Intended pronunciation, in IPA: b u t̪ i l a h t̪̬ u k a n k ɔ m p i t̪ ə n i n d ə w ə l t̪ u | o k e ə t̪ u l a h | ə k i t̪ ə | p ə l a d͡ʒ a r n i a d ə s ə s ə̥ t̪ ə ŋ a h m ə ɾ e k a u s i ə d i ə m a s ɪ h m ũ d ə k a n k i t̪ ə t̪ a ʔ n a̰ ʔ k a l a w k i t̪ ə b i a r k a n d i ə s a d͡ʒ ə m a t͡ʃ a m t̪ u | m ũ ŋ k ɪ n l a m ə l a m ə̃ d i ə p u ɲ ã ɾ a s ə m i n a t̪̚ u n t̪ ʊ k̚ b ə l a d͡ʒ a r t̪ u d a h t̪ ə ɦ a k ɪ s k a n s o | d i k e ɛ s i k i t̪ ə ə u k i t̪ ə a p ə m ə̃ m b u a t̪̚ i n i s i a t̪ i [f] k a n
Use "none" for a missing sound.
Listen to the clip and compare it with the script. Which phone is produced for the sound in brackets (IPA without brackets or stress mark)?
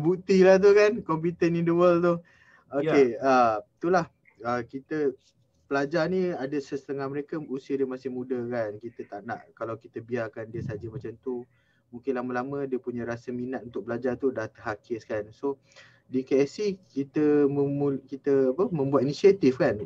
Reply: f